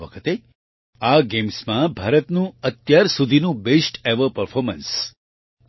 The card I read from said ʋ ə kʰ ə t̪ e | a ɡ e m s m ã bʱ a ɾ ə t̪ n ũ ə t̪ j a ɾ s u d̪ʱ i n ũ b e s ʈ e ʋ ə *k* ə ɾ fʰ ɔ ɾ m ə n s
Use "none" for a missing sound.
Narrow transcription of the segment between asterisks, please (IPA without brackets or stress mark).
p